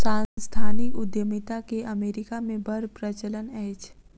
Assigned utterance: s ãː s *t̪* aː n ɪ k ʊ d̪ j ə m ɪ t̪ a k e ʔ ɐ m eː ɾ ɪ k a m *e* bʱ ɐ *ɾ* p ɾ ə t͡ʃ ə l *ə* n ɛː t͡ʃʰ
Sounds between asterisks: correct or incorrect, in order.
incorrect: t̪ʰ, incorrect: ẽ, correct, correct

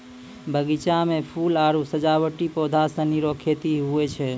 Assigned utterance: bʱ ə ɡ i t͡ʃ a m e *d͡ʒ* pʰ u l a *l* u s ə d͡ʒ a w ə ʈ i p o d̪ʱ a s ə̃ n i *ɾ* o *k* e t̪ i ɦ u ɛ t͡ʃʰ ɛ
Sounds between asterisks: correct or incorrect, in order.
incorrect: none, incorrect: ɾ, correct, incorrect: kʰ

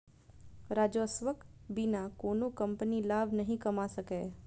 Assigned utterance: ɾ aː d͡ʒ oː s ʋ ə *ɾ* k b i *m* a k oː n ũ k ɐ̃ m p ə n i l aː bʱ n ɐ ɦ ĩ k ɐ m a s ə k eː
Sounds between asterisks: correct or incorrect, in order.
incorrect: none, incorrect: n

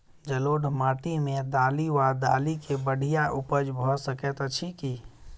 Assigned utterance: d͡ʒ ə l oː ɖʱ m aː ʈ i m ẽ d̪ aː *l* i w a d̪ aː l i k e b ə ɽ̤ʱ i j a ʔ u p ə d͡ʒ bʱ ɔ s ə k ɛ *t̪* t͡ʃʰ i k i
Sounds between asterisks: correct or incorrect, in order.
correct, correct

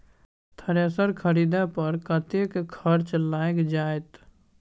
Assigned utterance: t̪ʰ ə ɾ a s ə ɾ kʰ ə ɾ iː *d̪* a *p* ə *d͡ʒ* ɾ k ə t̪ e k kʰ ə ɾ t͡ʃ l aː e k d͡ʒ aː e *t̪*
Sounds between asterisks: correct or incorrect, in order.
correct, correct, incorrect: none, correct

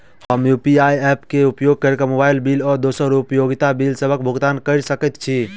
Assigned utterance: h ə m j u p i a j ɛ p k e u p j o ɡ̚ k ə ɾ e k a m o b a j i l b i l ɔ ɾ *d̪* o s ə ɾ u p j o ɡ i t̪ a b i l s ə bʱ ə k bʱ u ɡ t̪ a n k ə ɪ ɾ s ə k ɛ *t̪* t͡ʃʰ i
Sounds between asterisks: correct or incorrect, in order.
correct, correct

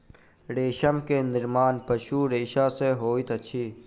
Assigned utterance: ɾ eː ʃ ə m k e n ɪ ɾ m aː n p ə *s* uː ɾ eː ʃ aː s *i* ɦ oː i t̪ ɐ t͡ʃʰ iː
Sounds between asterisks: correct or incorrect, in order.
incorrect: ʃ, incorrect: e

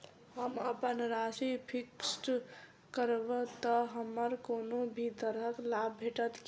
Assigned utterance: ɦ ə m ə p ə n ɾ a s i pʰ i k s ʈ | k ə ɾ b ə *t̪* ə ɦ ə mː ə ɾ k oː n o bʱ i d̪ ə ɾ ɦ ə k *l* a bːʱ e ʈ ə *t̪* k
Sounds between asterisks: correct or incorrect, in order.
correct, correct, correct

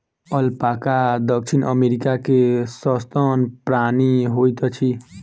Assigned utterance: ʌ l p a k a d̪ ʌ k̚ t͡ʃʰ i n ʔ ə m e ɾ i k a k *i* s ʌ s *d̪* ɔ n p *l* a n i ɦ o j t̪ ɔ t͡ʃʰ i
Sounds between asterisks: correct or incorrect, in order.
incorrect: e, incorrect: t̪, incorrect: ɾ

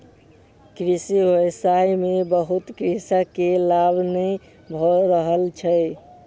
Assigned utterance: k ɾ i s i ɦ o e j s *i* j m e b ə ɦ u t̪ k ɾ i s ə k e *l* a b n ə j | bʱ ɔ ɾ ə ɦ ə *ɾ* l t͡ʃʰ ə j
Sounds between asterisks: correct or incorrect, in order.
incorrect: a, correct, incorrect: none

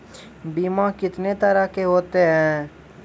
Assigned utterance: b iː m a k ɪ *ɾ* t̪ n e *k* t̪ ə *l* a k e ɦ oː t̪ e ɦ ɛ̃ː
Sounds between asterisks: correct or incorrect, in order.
incorrect: none, incorrect: none, incorrect: ɾ

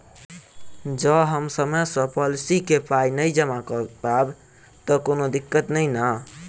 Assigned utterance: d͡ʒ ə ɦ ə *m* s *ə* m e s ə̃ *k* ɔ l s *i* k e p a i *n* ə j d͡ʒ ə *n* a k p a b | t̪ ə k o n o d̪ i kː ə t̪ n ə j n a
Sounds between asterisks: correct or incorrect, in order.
correct, correct, incorrect: p, correct, correct, incorrect: m

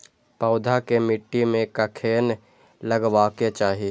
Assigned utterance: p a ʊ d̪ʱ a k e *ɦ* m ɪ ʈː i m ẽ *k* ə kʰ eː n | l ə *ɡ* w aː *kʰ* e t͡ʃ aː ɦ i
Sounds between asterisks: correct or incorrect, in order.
incorrect: none, correct, correct, incorrect: k

